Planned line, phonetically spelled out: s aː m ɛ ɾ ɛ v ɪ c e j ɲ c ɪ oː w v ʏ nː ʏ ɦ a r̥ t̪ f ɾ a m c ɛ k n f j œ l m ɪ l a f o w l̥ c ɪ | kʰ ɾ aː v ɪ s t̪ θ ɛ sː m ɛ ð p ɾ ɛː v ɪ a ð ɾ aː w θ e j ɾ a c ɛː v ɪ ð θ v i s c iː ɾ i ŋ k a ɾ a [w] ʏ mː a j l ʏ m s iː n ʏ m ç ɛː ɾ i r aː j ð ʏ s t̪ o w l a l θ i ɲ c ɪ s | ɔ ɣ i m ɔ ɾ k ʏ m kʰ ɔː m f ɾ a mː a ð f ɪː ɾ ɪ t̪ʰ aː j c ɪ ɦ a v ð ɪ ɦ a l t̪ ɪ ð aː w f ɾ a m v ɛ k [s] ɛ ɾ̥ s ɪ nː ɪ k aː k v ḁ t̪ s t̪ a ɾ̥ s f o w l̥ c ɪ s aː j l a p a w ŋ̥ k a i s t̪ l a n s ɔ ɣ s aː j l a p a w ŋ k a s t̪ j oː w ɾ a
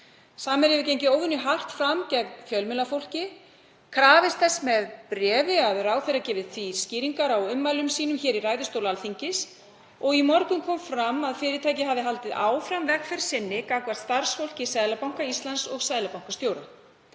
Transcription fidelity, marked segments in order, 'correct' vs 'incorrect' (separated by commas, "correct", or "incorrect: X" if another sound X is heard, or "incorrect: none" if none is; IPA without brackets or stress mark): correct, incorrect: f